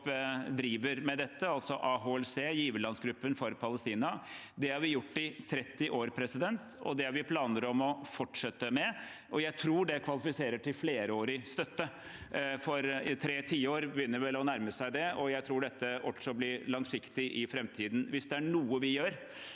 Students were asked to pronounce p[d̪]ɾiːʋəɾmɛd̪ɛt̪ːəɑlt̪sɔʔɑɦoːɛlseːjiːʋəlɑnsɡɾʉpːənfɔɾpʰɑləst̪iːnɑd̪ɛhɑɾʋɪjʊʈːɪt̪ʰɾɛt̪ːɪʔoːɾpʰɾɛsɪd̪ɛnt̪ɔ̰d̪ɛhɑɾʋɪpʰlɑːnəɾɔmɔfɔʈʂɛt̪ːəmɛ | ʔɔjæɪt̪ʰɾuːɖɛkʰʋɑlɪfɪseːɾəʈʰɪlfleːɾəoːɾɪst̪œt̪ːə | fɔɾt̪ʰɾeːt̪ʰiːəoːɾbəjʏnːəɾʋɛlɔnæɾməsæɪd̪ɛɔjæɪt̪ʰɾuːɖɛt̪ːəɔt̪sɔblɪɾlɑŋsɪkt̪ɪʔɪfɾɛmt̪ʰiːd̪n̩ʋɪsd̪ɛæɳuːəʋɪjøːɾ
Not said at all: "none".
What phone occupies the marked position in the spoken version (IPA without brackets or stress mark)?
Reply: d̪